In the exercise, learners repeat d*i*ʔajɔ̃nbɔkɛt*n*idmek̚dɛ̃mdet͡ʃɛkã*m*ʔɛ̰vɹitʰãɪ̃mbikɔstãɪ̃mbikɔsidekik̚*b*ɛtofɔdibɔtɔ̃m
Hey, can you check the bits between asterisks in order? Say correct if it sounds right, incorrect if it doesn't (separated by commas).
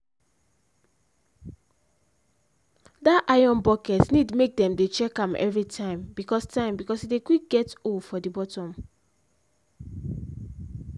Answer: incorrect, correct, correct, incorrect